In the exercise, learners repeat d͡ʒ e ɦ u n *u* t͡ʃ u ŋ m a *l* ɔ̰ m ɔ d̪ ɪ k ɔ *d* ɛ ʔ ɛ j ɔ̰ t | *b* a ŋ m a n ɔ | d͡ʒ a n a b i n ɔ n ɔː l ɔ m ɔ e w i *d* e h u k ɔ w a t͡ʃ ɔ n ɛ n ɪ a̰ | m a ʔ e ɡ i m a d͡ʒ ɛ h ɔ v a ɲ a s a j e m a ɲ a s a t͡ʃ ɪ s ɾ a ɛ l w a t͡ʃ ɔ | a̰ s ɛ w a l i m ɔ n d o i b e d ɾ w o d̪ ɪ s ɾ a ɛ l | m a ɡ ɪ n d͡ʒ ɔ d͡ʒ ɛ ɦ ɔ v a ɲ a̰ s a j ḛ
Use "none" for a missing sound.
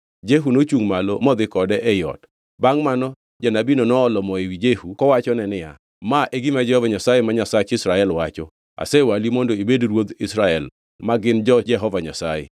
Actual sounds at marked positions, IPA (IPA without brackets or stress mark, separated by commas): o, l, d, b, d͡ʒ